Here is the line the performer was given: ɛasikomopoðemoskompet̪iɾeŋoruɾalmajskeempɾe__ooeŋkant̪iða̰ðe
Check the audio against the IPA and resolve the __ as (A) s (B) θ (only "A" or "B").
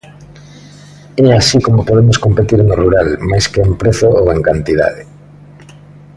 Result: B